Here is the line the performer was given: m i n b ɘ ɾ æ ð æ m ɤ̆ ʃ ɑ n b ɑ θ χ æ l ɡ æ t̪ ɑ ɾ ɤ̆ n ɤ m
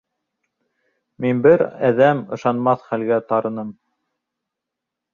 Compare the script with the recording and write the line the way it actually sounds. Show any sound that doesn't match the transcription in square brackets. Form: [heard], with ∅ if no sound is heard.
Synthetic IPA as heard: m i n b ɘ ɾ æ ð æ m ɤ̆ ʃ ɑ n [m] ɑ θ χ æ l ɡ æ t̪ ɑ ɾ ɤ̆ n ɤ m